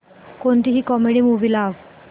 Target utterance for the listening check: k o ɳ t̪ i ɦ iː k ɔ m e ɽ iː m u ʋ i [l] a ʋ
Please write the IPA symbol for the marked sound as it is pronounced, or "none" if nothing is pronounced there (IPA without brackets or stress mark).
l